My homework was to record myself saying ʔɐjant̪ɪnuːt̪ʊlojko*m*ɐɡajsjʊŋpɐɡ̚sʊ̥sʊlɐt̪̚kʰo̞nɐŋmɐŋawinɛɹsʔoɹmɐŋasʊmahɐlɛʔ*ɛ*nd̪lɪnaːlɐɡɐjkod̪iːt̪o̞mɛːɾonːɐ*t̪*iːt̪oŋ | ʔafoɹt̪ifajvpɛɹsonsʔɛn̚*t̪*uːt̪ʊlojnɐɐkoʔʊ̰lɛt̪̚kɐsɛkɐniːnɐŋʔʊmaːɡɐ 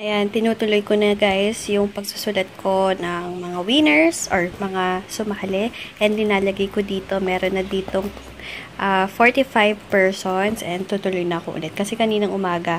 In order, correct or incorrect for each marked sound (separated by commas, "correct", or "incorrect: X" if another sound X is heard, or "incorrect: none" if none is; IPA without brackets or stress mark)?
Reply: incorrect: n, correct, incorrect: d̪, correct